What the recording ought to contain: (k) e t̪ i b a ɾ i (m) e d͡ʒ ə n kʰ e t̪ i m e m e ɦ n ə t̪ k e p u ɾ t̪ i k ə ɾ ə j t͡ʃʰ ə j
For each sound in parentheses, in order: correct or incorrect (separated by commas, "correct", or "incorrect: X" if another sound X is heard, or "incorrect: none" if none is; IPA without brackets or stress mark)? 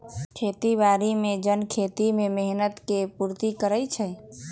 incorrect: kʰ, correct